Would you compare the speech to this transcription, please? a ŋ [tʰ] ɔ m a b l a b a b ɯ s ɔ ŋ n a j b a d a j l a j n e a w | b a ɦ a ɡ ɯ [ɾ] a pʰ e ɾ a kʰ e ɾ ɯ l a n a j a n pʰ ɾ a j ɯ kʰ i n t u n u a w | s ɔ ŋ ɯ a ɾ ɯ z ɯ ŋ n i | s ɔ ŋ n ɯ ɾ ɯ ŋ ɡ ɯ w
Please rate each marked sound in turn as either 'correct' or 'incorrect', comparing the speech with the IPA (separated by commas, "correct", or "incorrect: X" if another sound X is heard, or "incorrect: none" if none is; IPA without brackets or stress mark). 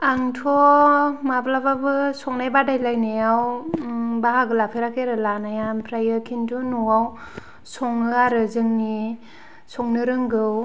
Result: correct, incorrect: l